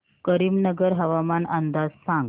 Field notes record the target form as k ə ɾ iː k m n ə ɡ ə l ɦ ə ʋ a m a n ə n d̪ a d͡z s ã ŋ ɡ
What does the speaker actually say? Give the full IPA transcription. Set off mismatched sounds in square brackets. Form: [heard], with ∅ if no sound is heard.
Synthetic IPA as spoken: k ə ɾ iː [∅] m n ə ɡ ə [ɾ] ɦ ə ʋ a m a n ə n d̪ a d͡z s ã ŋ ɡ